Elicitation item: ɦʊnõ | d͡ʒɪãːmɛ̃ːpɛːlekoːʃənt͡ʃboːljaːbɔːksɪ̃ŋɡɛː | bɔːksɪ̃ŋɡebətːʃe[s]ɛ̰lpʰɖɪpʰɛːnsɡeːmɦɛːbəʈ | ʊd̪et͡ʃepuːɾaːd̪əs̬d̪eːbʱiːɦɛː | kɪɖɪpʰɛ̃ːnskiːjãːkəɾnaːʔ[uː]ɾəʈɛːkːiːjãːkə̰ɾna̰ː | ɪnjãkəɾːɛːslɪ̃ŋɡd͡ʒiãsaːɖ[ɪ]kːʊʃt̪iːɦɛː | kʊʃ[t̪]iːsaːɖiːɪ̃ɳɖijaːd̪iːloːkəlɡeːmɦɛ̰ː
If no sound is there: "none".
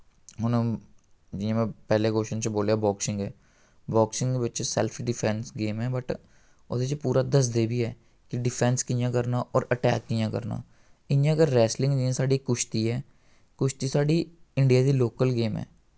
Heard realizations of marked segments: s, ɔː, i, t̪

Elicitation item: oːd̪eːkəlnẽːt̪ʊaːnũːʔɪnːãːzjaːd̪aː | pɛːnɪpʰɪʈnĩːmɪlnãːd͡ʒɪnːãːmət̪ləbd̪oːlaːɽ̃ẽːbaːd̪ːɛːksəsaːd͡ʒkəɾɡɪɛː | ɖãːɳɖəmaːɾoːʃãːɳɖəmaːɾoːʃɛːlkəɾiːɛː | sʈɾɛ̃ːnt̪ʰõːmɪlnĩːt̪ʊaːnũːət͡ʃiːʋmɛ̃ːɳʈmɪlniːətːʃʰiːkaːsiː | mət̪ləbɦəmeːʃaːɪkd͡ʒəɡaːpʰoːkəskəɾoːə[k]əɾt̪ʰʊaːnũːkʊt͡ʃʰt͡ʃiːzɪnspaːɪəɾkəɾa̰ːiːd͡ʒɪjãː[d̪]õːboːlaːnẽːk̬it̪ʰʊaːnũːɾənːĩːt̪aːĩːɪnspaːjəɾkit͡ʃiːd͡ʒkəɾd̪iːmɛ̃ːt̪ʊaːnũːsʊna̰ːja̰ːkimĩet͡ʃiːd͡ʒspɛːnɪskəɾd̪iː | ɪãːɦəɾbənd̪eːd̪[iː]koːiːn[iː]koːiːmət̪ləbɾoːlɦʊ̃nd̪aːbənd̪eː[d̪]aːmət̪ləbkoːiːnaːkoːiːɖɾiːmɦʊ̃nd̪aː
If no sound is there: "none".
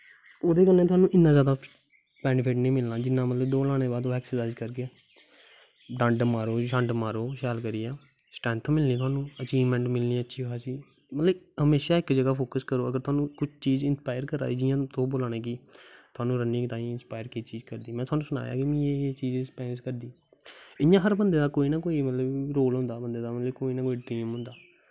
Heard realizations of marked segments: ɡ, t̪, aː, aː, d̪

